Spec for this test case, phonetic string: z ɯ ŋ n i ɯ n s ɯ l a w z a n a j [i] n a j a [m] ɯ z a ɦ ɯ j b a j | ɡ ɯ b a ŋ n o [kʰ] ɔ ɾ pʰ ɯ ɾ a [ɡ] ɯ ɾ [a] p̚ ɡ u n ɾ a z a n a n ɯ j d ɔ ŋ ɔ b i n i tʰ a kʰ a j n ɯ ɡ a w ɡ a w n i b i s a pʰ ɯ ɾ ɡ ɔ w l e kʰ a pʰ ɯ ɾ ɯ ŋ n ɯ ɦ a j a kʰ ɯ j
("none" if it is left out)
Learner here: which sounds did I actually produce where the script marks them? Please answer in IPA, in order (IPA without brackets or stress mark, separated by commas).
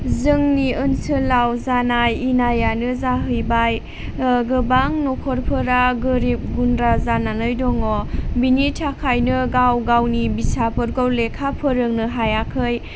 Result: i, n, kʰ, ɡ, i